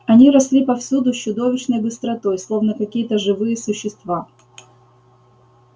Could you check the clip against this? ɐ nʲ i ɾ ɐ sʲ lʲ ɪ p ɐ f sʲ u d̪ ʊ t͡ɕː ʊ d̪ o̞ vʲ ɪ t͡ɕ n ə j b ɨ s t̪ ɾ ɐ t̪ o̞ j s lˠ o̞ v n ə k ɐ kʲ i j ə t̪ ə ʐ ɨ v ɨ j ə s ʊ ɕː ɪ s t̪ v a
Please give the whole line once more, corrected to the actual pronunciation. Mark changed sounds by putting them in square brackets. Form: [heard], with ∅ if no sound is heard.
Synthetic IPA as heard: ɐ nʲ i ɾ ɐ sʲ lʲ [i] p ɐ f sʲ u d̪ ʊ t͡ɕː ʊ d̪ o̞ vʲ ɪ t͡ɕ n ə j b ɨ s t̪ ɾ ɐ t̪ o̞ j s lˠ o̞ v n ə k ɐ kʲ i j ə t̪ ə ʐ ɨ v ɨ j ə s ʊ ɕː ɪ s t̪ v a